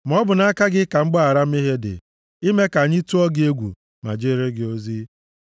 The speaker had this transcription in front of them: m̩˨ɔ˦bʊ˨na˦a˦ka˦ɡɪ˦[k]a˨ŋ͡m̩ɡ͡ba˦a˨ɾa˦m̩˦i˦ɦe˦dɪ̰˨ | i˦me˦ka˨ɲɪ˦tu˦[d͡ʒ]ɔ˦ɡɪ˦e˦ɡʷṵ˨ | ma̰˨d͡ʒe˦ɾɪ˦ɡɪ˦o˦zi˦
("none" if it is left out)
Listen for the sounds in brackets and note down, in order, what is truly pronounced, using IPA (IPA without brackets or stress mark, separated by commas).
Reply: k, none